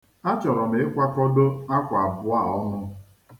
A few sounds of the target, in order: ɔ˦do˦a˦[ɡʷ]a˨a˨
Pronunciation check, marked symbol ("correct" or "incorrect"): incorrect